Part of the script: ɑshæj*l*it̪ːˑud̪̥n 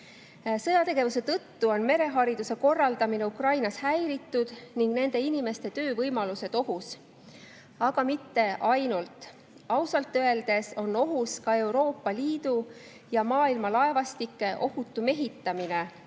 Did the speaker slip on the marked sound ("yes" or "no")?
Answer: yes